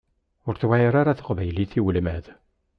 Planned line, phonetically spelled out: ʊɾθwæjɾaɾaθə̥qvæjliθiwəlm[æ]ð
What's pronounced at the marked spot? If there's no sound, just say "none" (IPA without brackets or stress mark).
æ